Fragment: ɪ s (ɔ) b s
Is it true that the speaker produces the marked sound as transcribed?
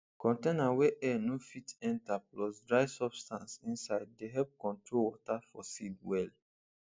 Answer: yes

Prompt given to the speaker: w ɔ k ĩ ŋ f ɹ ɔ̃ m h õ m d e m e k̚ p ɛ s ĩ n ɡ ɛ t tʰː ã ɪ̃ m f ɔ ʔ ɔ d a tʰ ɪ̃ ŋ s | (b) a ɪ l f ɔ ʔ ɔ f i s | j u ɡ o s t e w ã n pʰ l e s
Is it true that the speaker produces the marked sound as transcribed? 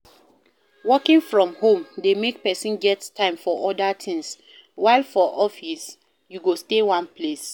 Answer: no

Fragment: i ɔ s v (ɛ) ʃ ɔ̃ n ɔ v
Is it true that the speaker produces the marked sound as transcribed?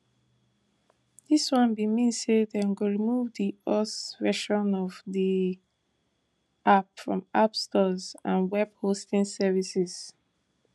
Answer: yes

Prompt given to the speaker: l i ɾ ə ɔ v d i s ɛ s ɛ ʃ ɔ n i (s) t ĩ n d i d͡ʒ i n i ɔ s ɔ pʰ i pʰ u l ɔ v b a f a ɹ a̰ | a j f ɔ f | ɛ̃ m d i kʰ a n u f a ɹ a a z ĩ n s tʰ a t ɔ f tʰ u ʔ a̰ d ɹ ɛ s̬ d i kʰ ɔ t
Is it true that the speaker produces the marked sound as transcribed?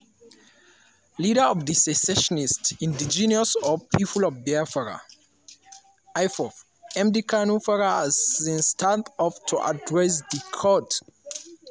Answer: yes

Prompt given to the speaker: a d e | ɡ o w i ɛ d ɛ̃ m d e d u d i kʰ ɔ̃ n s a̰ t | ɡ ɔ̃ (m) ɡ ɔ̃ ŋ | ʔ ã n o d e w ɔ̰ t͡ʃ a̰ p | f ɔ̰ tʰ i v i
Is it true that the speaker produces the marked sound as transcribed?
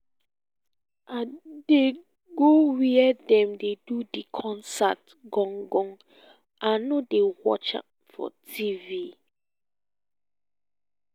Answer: no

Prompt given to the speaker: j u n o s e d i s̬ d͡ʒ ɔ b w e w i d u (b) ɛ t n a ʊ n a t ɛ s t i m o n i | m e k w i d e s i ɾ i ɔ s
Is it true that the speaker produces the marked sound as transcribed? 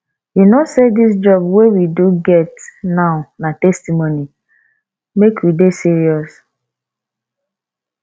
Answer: no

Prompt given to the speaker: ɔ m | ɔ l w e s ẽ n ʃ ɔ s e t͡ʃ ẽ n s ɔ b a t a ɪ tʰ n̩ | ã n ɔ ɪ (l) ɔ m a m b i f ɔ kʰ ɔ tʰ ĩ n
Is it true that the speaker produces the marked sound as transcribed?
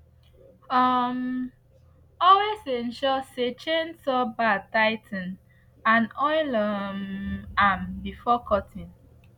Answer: yes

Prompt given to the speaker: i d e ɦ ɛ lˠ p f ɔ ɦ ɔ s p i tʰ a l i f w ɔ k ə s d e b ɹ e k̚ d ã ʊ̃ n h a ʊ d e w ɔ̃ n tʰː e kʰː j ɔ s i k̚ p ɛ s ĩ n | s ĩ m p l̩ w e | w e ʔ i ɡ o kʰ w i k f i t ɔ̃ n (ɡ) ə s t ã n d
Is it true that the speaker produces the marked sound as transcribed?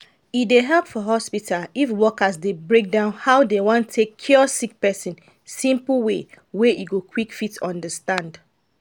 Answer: no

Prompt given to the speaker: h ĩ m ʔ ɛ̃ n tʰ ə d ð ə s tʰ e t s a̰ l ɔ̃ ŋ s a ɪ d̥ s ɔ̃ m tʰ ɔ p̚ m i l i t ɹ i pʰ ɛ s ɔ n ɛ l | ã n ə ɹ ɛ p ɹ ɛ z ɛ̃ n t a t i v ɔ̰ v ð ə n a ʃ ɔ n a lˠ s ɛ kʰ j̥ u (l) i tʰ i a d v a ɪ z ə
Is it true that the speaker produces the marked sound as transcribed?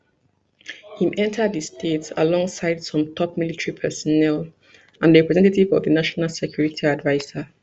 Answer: no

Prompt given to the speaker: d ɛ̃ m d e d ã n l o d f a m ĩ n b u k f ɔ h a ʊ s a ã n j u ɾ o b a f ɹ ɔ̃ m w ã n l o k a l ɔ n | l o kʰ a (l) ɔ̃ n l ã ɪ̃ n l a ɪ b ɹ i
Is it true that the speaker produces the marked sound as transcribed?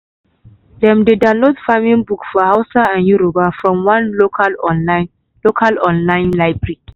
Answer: yes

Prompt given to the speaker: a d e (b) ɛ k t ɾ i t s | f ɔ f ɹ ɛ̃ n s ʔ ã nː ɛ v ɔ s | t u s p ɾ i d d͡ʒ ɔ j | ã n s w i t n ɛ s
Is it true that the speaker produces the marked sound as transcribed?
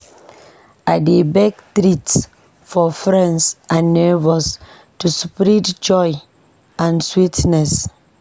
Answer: yes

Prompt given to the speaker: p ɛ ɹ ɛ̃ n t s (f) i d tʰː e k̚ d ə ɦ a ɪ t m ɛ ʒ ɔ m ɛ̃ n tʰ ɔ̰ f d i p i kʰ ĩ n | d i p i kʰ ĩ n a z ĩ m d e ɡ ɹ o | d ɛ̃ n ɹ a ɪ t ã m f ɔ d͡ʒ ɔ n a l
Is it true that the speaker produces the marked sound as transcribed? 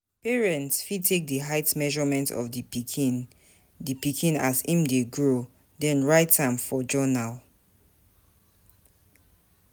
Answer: yes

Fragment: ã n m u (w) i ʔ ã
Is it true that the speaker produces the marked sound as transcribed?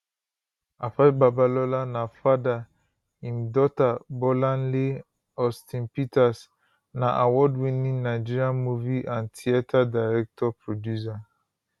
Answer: no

